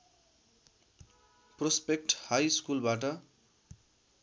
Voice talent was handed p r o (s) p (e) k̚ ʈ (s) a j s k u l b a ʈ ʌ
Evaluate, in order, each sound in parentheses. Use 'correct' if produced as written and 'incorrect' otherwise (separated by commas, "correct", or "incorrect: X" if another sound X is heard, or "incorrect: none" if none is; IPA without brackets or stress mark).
correct, correct, incorrect: h